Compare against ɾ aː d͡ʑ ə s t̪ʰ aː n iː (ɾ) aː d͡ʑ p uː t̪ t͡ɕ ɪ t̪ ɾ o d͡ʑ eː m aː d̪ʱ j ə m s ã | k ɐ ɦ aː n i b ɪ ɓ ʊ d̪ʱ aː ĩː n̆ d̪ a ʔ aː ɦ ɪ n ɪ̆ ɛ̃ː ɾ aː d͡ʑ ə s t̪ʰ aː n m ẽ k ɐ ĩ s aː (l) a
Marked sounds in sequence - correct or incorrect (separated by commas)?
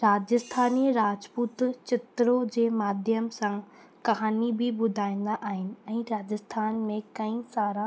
correct, incorrect